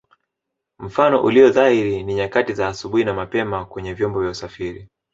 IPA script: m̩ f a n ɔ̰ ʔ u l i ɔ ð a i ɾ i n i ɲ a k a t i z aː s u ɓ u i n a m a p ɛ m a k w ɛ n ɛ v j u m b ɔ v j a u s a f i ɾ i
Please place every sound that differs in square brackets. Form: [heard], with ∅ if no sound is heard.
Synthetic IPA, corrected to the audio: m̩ f a n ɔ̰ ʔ u l i ɔ ð a i ɾ i n i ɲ a k a t i z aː s u ɓ u i n a m a p ɛ m a k w ɛ [ɲ] ɛ v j [ɔ] m b ɔ v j a u s a f i ɾ i